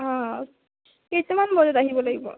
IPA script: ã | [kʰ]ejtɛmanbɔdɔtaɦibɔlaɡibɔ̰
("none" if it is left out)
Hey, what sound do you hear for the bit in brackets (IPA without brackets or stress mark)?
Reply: k